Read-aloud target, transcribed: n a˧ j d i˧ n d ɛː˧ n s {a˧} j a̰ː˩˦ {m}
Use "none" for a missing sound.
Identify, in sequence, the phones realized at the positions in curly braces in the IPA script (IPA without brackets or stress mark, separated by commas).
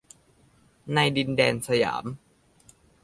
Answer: a˧, m